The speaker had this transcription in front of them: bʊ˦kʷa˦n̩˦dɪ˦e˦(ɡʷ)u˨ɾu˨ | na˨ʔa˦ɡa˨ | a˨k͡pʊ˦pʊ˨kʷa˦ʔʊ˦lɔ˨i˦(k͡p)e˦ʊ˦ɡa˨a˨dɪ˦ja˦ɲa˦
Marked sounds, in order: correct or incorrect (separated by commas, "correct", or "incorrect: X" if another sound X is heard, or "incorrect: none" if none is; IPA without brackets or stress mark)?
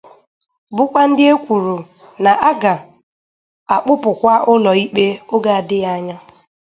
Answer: incorrect: kʷ, correct